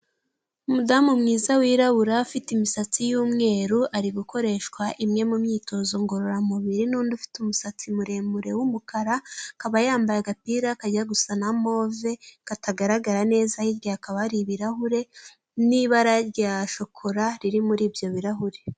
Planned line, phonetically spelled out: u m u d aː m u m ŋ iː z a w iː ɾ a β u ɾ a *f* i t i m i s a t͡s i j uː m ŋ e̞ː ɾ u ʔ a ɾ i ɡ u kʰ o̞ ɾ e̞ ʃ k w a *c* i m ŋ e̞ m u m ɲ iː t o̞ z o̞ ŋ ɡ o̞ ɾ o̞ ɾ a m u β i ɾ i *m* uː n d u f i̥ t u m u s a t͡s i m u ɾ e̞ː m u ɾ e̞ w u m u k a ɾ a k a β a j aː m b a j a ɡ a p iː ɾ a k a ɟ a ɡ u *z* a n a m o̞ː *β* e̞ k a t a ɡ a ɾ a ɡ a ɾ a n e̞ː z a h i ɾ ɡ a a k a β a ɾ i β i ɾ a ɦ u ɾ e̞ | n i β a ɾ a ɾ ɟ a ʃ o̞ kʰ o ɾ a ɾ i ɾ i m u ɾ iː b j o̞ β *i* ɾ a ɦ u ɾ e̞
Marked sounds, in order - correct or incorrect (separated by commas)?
correct, incorrect, incorrect, incorrect, incorrect, correct